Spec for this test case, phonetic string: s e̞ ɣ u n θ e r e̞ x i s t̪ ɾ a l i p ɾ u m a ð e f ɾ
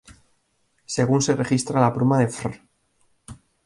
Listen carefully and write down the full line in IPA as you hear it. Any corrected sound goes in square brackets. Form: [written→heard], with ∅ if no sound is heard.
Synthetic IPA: s e̞ ɣ u n [θ→s] e r e̞ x i s t̪ ɾ a l [i→a] p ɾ u m a ð e f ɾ

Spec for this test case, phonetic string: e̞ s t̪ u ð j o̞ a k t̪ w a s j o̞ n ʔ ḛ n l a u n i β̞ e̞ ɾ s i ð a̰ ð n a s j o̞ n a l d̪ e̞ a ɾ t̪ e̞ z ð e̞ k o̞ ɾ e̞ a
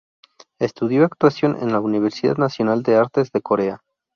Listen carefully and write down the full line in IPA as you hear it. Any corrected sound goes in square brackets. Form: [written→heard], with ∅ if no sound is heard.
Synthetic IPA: e̞ s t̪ u ð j o̞ a k t̪ w a s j o̞ n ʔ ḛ n l a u n i β̞ e̞ ɾ s i ð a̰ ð n a s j o̞ n a l d̪ e̞ a ɾ t̪ e̞ z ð e̞ k o̞ ɾ e̞ a

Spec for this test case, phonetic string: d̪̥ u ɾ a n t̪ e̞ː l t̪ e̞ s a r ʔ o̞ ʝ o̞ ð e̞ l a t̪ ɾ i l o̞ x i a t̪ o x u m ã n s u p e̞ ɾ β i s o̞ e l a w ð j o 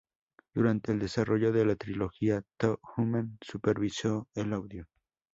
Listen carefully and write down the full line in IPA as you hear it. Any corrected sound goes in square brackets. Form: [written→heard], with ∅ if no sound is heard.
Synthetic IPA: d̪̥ u ɾ a n t̪ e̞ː l [t̪→d̪] e̞ s a r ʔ o̞ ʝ o̞ ð e̞ l a t̪ ɾ i l o̞ x i a t̪ o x u m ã n s u p e̞ ɾ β i s o̞ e l a w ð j o

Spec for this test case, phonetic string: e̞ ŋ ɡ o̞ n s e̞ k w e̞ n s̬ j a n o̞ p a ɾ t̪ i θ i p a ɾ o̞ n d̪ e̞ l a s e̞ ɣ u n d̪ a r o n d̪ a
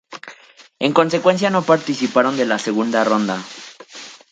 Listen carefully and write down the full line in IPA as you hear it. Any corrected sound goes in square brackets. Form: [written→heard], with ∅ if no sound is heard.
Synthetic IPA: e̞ ŋ [ɡ→k] o̞ n s e̞ k w e̞ n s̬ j a n o̞ p a ɾ t̪ i [θ→s] i p a ɾ o̞ n d̪ e̞ l a s e̞ ɣ u n d̪ a r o n d̪ a

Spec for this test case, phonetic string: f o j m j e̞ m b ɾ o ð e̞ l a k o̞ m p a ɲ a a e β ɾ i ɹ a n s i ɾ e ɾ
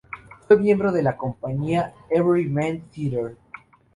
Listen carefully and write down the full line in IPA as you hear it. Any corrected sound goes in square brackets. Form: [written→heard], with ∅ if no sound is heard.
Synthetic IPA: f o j m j e̞ m b ɾ o ð e̞ l a k o̞ m p a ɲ [a→i] a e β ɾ i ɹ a n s i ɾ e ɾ

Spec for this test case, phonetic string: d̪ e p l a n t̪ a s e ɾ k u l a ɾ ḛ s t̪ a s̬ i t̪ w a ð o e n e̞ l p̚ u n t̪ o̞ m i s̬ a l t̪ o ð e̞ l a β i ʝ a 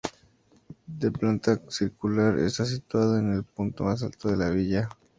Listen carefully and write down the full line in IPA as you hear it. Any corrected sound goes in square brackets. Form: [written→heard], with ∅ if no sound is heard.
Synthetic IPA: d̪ e p l a n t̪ a s [e→i] ɾ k u l a ɾ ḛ s t̪ a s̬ i t̪ w a ð o e n e̞ l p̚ u n t̪ o̞ m [i→a] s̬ a l t̪ o ð e̞ l a β i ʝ a

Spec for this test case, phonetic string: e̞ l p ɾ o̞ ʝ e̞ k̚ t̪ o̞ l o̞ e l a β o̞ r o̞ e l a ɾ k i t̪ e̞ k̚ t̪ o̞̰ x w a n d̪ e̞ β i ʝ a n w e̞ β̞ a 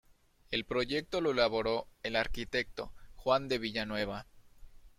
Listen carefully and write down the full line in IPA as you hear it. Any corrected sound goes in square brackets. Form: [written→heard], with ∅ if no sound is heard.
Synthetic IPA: e̞ l p ɾ o̞ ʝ e̞ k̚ t̪ o̞ l o̞ e l a β o̞ [r→ɾ] o̞ e l a ɾ k i t̪ e̞ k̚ t̪ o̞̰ x w a n d̪ e̞ β i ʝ a n w e̞ β̞ a

